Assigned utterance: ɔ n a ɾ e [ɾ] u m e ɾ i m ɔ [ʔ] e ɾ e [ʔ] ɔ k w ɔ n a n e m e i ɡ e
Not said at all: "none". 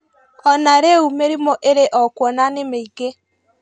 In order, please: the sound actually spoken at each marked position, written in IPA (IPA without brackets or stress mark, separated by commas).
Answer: none, ʔ, ʔ